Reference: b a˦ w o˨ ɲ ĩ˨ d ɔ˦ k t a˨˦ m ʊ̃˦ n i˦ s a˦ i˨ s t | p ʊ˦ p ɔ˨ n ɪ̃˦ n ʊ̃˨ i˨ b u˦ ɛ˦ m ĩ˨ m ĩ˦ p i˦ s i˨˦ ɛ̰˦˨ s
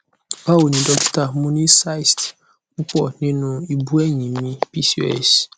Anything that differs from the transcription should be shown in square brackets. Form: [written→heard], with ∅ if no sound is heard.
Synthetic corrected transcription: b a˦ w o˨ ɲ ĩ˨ d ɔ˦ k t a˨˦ m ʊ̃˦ n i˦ s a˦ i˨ s t | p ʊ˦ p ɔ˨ n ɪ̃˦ n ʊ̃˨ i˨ b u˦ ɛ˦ [m→ɲ] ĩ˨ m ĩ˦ p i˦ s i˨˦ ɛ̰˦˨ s